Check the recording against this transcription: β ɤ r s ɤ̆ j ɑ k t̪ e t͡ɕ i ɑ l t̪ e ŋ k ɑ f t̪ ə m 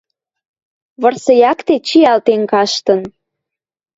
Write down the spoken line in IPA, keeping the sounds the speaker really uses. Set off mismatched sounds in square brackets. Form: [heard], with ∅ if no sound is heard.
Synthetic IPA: β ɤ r s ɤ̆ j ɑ k t̪ e t͡ɕ i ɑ l t̪ e ŋ k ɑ [ʃ] t̪ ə [n]